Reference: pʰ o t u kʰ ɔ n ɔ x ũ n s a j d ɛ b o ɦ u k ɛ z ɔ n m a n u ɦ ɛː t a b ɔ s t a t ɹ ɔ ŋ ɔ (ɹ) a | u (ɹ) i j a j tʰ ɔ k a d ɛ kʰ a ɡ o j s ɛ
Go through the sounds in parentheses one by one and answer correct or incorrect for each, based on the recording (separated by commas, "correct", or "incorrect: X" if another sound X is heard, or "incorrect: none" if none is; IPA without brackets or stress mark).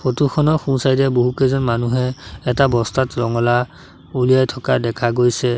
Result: incorrect: l, incorrect: l